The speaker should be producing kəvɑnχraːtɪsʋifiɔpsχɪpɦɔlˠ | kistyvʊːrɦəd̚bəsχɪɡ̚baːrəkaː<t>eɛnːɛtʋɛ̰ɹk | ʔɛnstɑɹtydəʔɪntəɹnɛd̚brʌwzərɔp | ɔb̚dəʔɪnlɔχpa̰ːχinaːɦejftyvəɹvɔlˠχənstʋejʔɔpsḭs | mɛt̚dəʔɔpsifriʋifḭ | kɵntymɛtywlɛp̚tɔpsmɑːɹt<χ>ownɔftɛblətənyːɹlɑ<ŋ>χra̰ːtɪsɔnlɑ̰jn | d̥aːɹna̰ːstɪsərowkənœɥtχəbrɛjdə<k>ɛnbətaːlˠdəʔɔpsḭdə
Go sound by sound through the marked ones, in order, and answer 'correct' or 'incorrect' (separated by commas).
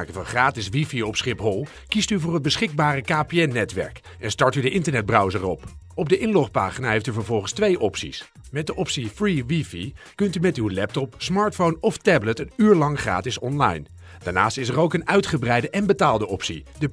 incorrect, incorrect, correct, incorrect